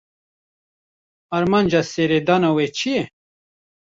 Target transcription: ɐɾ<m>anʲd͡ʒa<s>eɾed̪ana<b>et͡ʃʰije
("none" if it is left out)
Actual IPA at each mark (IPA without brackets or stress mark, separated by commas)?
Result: m, s, w